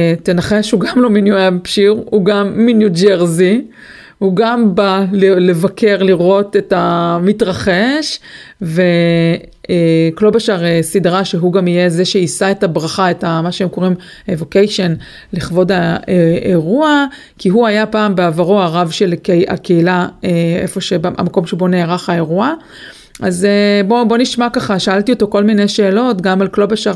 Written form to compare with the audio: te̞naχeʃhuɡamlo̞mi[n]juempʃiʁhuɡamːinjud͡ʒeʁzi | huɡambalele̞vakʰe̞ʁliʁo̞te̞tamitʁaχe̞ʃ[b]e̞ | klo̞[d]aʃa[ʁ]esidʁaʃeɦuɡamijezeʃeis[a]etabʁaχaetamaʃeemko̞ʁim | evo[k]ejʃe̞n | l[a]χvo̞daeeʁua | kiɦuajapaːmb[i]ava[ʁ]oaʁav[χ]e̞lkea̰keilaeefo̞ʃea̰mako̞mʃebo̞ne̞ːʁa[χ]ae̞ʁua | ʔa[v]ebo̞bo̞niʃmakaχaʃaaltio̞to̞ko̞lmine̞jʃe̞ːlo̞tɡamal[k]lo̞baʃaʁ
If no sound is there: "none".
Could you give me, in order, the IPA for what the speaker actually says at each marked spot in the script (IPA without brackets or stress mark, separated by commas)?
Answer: n, v, b, ʁ, a, k, i, e, ʁ, ʃ, χ, z, k